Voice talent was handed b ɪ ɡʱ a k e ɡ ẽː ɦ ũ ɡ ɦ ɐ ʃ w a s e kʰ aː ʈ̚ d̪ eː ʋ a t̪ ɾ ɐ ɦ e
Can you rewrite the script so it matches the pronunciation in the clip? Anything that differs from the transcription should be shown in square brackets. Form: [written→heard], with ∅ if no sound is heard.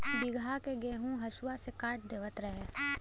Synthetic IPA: b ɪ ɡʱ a k e ɡ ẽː ɦ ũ [ɡ→∅] ɦ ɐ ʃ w a s e [kʰ→k] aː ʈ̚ d̪ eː ʋ [a→ə] t̪ ɾ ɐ ɦ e